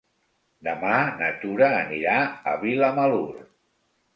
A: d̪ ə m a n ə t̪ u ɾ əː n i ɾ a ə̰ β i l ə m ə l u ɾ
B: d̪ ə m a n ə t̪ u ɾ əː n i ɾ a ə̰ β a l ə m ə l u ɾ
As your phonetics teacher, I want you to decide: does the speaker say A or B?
A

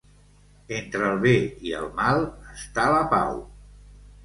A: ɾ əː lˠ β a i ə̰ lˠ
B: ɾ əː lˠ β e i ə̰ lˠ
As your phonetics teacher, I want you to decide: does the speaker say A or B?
B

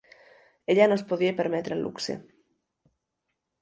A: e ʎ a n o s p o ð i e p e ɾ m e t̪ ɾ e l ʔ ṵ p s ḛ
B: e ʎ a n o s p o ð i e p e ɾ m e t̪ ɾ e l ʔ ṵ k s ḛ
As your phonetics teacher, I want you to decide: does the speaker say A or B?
B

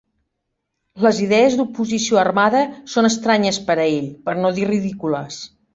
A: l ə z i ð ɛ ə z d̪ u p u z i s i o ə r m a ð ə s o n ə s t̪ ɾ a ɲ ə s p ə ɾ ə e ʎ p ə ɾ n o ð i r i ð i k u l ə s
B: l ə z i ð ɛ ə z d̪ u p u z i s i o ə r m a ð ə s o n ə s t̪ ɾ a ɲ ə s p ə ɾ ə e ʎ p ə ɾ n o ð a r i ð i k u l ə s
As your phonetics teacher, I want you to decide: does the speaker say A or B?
A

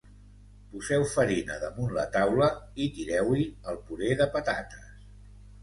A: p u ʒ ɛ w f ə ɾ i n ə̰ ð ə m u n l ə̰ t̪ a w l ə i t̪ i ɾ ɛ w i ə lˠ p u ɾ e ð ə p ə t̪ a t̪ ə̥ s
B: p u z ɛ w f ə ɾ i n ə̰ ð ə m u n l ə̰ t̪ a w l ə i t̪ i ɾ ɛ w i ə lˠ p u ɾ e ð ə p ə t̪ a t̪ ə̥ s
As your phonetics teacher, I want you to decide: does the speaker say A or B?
B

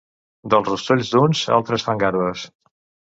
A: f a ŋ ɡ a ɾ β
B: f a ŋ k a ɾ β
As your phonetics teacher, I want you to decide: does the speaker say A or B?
A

